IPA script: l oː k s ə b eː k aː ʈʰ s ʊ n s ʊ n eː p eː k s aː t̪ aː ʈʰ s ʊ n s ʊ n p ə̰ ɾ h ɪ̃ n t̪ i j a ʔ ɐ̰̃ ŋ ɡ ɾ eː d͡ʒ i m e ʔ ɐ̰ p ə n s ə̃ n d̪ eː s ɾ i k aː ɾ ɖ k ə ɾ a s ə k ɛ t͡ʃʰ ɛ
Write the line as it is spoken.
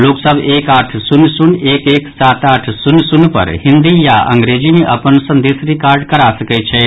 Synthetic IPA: l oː k s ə b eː k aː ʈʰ s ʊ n s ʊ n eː k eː k s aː t̪ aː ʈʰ s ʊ n s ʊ n p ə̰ ɾ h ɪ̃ n d̪ i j a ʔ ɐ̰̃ ŋ ɡ ɾ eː d͡ʒ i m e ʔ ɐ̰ p ə n s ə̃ n d̪ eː s ɾ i k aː ɾ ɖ k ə ɾ a s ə k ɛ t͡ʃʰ ɛ

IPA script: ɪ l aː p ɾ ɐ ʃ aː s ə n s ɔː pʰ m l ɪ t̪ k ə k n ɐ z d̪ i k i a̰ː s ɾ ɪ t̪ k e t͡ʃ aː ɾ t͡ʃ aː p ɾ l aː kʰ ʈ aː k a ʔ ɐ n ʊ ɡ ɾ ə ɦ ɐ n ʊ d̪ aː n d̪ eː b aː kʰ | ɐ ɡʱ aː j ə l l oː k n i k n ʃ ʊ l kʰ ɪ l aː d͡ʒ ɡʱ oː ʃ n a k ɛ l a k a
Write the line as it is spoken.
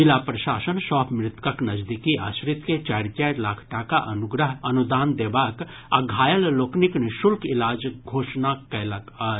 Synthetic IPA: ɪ l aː p ɾ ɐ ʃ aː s ə n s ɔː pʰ m ɾ ɪ t̪ k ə k n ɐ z d̪ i k i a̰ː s ɾ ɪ t̪ k e t͡ʃ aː ɾ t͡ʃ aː ɾ l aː kʰ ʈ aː k a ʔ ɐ n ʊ ɡ ɾ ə ɦ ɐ n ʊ d̪ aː n d̪ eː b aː k | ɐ ɡʱ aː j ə l l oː k n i k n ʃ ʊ l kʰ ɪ l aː d͡ʒ ɡʱ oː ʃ n a k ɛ l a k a

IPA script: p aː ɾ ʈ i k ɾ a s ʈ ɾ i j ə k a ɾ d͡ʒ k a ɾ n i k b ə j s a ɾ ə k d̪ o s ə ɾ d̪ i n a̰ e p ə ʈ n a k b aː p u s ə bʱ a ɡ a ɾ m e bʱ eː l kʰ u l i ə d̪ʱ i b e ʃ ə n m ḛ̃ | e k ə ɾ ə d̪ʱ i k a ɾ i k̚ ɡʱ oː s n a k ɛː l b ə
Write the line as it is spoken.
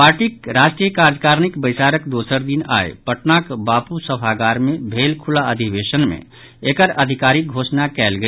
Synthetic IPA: p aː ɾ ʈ i k ɾ a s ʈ ɾ i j ə k a ɾ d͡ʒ k a ɾ n i k b ə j s a ɾ ə k d̪ o s ə ɾ d̪ i n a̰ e p ə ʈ n a k b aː p u s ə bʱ a ɡ a ɾ m e bʱ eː l kʰ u l a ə d̪ʱ i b e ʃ ə n m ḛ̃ | e k ə ɾ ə d̪ʱ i k a ɾ i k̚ ɡʱ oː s n a k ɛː l ɡ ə

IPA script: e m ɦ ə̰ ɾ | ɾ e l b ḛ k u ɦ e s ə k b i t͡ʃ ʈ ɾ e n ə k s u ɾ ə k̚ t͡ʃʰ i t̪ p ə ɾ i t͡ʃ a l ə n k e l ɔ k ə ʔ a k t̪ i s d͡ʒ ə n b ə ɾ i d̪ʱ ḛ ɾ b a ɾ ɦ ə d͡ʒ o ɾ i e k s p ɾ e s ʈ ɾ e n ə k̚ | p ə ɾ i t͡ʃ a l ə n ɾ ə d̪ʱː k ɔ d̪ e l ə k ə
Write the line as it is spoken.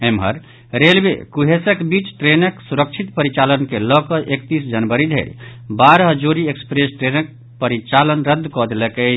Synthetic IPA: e m ɦ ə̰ ɾ | ɾ e l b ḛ k u ɦ e s ə k b i t͡ʃ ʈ ɾ e n ə k s u ɾ ə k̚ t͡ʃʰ i t̪ p ə ɾ i t͡ʃ a l ə n k e l ɔ k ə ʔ e k t̪ i s d͡ʒ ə n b ə ɾ i d̪ʱ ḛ ɾ b a ɾ ɦ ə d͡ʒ o ɾ i e k s p ɾ e s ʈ ɾ e n ə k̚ | p ə ɾ i t͡ʃ a l ə n ɾ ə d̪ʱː k ɔ d̪ e l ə k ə

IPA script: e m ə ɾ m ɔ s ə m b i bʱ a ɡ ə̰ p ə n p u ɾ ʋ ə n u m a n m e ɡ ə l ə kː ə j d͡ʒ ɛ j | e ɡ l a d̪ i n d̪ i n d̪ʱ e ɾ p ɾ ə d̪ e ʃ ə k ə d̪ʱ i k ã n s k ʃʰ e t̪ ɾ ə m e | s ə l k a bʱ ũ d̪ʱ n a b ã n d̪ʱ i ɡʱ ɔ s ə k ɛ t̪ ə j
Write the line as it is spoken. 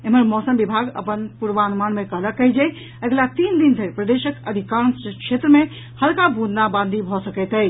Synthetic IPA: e m ə ɾ m ɔ s ə m b i bʱ a ɡ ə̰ p ə n p u ɾ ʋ a n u m a n m e k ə l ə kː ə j d͡ʒ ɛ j | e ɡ l a t̪ i n d̪ i n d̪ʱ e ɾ p ɾ ə d̪ e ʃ ə k ə d̪ʱ i k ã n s k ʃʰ e t̪ ɾ ə m e | h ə l k a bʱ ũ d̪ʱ n a b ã n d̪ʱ i bʱ ɔ s ə k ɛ t̪ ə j

